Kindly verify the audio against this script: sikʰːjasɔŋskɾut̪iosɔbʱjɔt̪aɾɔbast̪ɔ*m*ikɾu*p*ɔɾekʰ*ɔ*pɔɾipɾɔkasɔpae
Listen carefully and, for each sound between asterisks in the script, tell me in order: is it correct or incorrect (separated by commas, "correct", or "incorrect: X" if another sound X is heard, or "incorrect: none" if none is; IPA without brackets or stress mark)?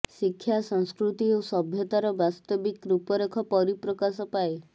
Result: incorrect: b, correct, correct